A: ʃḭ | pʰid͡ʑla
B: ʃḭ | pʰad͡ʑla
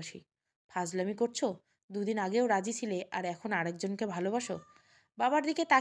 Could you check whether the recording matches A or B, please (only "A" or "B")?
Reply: B